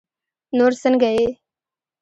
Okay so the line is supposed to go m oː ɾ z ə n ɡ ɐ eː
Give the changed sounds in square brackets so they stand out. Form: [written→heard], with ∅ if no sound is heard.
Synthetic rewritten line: [m→n] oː ɾ [z→s] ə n ɡ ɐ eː